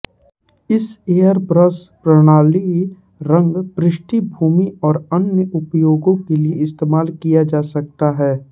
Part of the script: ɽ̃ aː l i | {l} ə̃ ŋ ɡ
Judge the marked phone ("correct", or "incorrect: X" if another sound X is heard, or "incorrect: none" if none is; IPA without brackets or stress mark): incorrect: ɾ